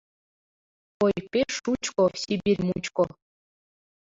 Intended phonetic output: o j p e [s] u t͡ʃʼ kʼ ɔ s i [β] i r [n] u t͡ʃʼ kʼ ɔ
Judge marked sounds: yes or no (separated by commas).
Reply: no, no, no